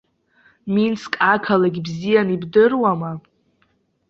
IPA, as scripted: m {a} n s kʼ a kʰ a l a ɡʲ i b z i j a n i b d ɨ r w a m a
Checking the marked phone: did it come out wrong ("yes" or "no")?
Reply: yes